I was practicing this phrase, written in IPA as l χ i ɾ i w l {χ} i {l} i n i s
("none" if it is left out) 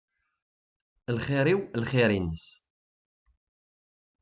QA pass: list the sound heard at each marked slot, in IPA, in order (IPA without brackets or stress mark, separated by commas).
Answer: χ, ɾ